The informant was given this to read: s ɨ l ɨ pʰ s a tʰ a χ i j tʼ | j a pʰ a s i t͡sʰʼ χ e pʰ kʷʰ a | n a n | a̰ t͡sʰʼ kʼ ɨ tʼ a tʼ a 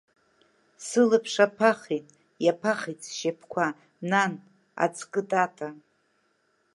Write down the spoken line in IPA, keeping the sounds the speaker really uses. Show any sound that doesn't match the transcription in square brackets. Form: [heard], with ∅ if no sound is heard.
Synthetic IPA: s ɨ l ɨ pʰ [ʂ] a [pʰ] a χ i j tʼ | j a pʰ a [χ] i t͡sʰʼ [ʃ] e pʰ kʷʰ a | n a n | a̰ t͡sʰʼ kʼ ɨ tʼ a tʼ a